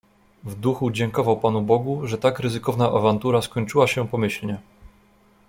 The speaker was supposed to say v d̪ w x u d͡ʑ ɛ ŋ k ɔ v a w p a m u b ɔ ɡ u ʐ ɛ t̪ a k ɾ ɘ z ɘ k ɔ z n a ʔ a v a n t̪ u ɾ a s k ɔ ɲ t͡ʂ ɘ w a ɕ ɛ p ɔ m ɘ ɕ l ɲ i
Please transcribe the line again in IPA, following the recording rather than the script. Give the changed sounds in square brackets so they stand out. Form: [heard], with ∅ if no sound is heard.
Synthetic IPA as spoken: v d̪ [u] x u d͡ʑ ɛ ŋ k ɔ v a w p a [n] u b ɔ ɡ u ʐ ɛ t̪ a k ɾ ɘ z ɘ k ɔ [v] n a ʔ a v a n t̪ u ɾ a s k ɔ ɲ t͡ʂ ɘ w a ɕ ɛ p ɔ m ɘ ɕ l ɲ [ɛ]